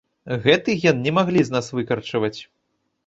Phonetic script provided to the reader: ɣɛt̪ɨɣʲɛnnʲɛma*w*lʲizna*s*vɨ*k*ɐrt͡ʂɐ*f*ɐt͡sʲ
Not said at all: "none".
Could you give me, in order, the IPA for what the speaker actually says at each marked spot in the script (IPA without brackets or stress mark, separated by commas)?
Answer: ɣ, s, k, v